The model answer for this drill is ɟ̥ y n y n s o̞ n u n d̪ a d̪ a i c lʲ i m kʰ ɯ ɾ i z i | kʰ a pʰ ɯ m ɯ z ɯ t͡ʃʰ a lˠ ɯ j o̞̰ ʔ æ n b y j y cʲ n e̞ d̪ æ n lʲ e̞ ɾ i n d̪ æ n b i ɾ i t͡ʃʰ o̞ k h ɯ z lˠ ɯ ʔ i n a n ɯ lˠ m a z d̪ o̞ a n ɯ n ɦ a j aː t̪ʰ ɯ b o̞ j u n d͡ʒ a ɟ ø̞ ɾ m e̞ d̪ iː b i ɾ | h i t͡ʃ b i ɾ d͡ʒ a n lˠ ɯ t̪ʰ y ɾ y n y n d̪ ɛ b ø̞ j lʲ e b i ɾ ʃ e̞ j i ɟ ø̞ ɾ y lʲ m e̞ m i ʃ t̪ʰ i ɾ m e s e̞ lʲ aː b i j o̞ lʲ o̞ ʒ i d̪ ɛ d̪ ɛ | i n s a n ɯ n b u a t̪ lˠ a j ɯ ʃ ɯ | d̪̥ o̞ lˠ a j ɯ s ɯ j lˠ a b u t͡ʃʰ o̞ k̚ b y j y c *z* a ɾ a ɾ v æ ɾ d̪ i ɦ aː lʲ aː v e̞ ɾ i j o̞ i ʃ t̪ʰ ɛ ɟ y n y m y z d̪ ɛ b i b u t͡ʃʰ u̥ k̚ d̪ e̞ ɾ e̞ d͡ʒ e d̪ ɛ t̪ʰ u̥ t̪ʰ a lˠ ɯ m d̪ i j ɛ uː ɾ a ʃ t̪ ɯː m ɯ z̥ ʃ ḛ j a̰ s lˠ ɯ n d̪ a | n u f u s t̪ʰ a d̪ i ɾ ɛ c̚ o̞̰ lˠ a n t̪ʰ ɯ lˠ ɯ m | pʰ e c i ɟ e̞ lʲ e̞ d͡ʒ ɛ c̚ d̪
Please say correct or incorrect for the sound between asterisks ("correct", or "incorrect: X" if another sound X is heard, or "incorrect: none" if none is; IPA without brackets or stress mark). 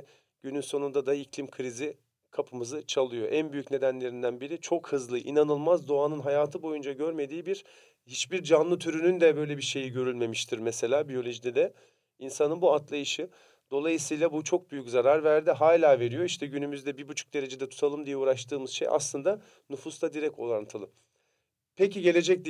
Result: correct